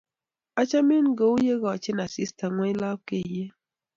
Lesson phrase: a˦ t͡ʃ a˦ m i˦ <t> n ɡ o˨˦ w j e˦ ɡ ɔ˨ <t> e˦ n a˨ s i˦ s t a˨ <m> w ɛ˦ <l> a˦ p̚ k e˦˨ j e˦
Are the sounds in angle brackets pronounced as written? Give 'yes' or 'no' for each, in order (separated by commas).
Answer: no, no, no, yes